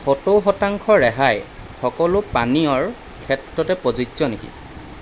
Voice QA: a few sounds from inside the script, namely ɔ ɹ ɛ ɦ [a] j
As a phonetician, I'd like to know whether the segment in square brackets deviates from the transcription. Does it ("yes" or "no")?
no